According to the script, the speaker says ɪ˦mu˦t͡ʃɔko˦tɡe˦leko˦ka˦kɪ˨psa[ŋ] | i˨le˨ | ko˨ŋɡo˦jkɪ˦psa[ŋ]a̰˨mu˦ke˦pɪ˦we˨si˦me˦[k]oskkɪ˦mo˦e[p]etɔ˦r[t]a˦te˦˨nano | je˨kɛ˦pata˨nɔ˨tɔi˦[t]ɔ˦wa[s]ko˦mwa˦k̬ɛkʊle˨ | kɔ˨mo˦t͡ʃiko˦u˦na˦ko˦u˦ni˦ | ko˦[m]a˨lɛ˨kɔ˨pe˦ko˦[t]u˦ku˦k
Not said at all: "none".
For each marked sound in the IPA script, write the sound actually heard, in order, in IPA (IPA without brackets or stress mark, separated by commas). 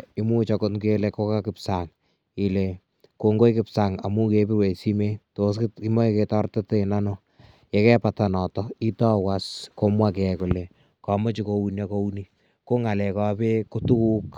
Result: ŋ, ŋ, t, k, t, t, s, ŋ, t